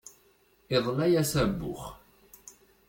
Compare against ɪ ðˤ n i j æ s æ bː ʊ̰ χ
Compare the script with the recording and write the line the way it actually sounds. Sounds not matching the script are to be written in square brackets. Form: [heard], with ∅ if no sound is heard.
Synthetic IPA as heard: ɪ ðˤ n [æ] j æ s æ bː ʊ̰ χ

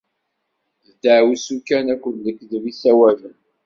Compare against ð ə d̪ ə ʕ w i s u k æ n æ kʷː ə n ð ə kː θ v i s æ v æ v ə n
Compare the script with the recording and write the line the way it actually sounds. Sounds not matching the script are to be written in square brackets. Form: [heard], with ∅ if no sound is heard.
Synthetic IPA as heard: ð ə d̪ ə ʕ w i s u k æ n æ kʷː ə n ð ə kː [ð] v i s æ [w] æ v ə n

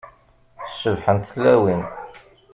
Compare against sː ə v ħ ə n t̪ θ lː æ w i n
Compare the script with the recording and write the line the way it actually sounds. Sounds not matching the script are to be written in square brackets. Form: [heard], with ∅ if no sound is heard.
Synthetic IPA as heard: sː ə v ħ ə n t̪ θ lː æ w i n

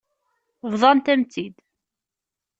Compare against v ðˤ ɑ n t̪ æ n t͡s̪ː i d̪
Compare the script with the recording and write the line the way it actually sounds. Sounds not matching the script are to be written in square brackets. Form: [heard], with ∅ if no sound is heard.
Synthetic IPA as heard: v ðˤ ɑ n t̪ æ [m] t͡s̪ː i d̪

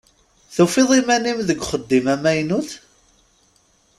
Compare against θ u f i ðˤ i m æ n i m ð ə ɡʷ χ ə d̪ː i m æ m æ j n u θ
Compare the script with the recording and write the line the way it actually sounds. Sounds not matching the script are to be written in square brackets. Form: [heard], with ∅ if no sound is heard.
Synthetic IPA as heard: θ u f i ðˤ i m æ n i m ð ə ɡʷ χ ə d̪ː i m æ m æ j n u θ

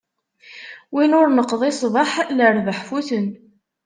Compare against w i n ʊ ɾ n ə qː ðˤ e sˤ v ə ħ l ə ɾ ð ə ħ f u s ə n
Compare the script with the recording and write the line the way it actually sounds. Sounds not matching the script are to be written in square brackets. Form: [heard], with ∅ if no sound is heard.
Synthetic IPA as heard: w i n ʊ ɾ n ə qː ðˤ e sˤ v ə ħ l ə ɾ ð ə ħ f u [θ] ə n

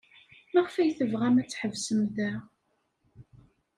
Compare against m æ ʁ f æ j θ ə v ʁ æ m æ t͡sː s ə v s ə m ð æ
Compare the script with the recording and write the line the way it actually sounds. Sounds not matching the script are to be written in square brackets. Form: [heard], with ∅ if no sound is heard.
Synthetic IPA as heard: m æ ʁ f æ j θ ə v ʁ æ m æ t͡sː [ħ] ə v s ə m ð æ

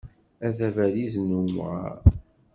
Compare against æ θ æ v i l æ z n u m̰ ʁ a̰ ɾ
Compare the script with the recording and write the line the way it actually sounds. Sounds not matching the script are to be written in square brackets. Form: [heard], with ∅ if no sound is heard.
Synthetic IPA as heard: æ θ æ v [æ] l [i] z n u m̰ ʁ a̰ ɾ

